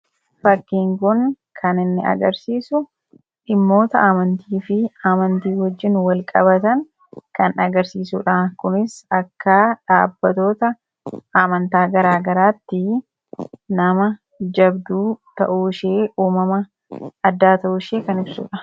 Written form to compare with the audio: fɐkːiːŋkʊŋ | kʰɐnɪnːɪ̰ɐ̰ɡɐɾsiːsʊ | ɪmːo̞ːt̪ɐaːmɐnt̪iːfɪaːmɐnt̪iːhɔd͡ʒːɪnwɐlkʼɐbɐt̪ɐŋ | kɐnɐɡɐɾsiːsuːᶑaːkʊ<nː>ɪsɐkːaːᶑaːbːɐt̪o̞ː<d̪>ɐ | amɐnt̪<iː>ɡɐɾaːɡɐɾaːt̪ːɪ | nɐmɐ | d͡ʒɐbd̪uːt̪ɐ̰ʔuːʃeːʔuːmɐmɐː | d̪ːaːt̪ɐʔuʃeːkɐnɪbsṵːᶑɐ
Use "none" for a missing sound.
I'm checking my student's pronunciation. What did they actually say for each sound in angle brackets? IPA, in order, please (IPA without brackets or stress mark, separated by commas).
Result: n, t̪, aː